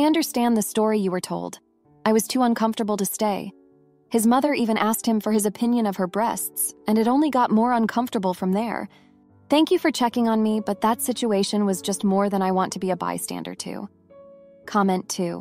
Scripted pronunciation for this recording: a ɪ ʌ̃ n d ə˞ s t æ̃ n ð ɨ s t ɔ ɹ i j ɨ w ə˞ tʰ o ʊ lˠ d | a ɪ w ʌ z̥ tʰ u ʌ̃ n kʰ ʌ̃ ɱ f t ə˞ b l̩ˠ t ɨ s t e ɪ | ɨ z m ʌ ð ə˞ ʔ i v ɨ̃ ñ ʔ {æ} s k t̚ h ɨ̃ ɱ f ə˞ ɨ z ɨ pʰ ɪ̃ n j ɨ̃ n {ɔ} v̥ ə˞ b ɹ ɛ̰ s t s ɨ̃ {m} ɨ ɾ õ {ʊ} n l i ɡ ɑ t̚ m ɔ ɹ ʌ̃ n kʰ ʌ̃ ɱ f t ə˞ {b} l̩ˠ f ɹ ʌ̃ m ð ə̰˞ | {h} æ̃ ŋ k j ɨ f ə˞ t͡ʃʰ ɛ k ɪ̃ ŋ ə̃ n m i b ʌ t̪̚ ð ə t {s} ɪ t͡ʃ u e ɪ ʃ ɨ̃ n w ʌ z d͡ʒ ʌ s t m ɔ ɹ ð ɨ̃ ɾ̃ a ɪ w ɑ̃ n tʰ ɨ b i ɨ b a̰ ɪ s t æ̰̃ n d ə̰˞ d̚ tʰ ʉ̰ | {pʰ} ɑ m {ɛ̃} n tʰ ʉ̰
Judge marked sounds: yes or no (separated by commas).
yes, no, no, no, yes, no, yes, no, yes